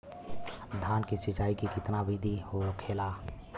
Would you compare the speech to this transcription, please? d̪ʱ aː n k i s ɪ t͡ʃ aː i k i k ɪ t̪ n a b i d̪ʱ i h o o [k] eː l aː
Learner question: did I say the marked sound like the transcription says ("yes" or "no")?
no